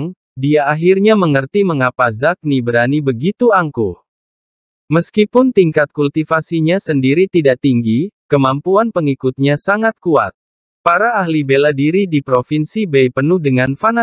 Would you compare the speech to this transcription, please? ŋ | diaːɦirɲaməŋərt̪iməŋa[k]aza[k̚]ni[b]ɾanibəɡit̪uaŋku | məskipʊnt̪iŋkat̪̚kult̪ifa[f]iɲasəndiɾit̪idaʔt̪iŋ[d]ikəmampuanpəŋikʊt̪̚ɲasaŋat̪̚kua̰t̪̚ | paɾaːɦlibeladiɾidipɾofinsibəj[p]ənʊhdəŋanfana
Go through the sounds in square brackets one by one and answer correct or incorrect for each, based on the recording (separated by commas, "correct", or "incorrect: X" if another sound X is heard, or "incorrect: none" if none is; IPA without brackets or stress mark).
incorrect: p, correct, correct, incorrect: s, incorrect: ɡ, correct